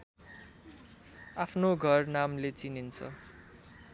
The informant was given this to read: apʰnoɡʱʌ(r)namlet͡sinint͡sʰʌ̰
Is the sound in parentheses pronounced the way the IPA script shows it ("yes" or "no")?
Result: yes